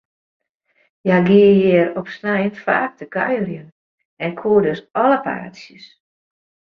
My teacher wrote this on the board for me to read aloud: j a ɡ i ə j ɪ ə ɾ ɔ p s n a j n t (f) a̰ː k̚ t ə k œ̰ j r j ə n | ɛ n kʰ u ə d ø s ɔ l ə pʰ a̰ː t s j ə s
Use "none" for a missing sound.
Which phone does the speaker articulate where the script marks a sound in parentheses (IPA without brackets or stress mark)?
f